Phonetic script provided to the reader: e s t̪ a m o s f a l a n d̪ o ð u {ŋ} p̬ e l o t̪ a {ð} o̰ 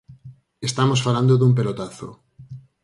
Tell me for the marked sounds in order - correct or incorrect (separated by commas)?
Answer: incorrect, incorrect